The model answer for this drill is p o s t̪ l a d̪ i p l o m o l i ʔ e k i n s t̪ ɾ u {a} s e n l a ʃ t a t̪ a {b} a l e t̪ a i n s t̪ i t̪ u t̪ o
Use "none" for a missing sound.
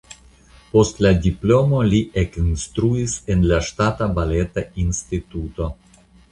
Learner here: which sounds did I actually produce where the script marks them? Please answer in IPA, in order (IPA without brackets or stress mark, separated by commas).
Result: i, b